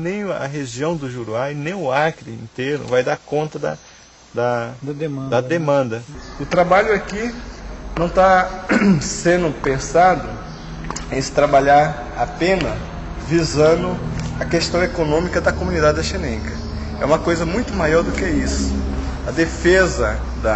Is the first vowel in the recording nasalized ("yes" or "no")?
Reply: yes